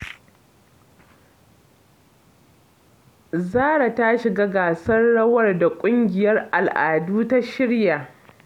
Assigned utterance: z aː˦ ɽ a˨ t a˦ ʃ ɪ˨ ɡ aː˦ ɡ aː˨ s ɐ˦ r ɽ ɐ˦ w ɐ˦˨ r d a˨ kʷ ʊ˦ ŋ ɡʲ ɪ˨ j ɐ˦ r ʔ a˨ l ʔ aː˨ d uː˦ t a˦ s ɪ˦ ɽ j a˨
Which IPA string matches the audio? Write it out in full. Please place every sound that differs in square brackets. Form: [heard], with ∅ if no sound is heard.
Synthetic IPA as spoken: z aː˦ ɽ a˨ t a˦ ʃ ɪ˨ ɡ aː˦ ɡ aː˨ s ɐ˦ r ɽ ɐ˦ w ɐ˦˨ r d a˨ [kʷʼ] ʊ˦ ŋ ɡʲ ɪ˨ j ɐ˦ r ʔ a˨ l ʔ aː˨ d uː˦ t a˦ [ʃ] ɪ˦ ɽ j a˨